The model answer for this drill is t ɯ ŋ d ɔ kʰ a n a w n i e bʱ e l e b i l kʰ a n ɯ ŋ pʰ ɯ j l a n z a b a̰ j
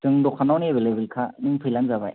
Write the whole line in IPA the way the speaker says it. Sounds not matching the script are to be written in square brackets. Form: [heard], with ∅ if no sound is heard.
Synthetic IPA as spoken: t ɯ ŋ d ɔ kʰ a n a w n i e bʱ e l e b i l kʰ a n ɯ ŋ pʰ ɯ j l a n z a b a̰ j